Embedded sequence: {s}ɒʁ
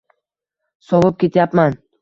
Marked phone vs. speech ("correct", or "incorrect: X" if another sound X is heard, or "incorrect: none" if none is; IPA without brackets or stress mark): correct